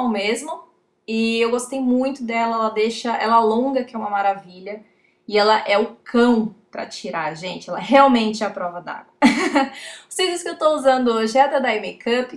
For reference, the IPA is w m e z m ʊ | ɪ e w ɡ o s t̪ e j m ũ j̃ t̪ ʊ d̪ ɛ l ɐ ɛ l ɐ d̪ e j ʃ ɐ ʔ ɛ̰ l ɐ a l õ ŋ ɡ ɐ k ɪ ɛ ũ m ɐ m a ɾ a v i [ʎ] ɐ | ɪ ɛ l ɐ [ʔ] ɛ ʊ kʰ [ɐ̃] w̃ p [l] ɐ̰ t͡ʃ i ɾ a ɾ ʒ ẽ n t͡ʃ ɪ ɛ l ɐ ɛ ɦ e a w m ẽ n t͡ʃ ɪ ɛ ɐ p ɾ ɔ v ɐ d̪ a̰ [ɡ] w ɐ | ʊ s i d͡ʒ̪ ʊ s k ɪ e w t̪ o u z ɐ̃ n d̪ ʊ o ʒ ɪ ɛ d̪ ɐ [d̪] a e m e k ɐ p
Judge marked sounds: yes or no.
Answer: yes, yes, yes, no, yes, yes

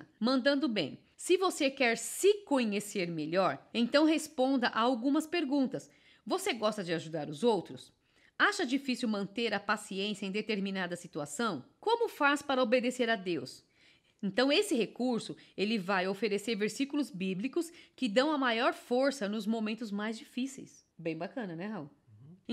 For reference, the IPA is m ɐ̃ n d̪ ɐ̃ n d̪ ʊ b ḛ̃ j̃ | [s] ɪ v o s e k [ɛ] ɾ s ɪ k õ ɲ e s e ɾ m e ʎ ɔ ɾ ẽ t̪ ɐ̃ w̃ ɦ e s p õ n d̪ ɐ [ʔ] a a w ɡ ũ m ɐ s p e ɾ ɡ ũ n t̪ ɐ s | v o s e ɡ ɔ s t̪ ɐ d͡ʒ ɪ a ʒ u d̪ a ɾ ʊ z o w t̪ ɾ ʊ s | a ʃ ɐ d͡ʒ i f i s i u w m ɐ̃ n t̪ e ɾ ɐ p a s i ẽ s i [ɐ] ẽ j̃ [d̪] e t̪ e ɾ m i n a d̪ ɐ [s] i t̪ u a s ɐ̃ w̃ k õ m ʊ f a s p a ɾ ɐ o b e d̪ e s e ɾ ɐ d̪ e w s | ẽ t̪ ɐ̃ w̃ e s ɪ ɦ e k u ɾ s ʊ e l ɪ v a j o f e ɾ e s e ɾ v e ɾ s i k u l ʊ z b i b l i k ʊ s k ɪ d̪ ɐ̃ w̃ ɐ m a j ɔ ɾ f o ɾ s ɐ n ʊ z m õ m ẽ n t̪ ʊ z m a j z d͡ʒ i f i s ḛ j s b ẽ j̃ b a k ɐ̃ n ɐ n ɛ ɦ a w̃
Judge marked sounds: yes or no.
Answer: yes, yes, yes, yes, yes, yes

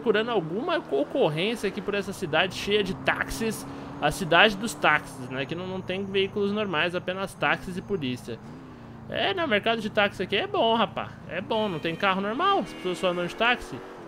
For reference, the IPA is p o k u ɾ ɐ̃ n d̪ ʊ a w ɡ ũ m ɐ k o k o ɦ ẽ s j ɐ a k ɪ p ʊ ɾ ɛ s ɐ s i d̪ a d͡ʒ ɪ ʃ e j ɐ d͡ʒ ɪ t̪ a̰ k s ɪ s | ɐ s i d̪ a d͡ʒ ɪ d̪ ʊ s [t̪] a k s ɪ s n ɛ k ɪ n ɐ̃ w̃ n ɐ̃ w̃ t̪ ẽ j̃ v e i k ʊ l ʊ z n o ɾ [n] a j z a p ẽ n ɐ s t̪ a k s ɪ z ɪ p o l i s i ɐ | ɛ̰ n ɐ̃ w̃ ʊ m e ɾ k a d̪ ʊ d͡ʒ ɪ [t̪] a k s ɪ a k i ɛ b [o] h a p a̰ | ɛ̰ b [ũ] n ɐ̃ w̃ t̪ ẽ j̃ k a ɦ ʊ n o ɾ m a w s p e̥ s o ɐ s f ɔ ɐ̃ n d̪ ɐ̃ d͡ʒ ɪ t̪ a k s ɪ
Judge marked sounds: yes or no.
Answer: yes, no, yes, no, no

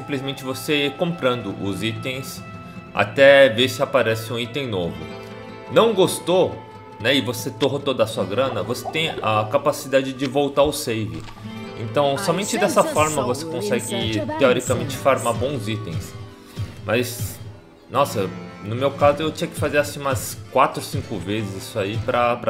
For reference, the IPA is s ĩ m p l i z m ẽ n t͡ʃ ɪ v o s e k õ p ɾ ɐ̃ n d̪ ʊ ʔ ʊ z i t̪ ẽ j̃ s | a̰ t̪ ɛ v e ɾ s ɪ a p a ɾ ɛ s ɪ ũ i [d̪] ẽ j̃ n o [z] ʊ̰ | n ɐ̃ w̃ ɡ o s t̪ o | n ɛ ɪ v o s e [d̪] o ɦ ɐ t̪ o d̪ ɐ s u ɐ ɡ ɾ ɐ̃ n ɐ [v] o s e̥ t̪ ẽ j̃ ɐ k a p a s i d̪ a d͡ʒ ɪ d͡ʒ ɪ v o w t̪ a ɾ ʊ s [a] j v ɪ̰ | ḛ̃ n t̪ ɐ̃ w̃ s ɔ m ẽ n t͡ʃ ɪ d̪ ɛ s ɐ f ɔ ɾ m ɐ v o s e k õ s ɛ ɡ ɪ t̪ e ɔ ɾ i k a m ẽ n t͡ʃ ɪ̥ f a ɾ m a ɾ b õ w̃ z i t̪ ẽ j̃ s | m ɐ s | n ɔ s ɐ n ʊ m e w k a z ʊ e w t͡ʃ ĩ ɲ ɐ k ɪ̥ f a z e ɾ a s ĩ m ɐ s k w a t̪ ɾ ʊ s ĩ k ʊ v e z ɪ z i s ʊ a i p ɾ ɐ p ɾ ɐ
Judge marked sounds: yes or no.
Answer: no, no, no, yes, no

